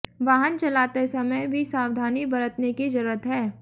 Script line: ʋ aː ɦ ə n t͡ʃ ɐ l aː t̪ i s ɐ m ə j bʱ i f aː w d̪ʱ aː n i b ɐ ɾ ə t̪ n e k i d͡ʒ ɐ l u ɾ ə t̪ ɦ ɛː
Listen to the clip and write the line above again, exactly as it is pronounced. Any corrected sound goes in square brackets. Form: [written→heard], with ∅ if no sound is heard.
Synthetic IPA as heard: ʋ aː ɦ ə n t͡ʃ ɐ l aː t̪ [i→e] s ɐ m ə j bʱ i [f→s] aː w d̪ʱ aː n i b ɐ ɾ ə t̪ n e k i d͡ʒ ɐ [l→ɾ] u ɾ ə t̪ ɦ ɛː